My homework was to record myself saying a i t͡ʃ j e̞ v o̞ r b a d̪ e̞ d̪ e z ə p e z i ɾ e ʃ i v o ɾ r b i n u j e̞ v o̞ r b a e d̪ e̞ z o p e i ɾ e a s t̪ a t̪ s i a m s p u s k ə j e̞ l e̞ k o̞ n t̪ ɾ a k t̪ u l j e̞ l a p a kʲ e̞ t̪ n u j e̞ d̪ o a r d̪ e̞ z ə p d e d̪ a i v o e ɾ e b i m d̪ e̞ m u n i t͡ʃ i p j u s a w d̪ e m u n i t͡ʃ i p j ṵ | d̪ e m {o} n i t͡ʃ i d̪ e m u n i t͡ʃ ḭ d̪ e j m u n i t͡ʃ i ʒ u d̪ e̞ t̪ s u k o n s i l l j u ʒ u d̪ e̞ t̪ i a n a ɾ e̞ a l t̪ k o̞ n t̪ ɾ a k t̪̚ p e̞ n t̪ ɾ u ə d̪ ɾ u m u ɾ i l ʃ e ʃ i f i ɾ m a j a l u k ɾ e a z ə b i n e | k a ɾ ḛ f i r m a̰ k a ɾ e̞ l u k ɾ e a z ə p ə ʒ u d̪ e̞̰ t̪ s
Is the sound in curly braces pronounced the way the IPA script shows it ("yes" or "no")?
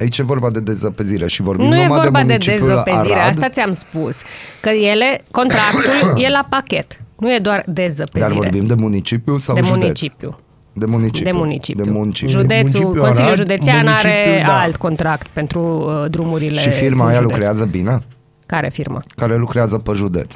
no